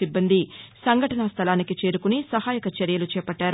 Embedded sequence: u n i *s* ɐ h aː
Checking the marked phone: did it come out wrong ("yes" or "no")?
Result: no